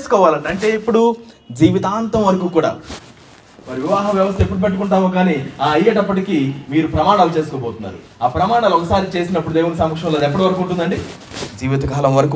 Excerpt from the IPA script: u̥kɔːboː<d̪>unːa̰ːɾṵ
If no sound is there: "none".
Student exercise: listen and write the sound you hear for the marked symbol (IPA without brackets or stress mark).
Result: t̪